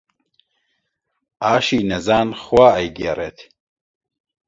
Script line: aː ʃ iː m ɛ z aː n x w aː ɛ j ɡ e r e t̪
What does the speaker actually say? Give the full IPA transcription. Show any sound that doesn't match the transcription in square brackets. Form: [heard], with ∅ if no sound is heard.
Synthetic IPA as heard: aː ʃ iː [n] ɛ z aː n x w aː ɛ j ɡ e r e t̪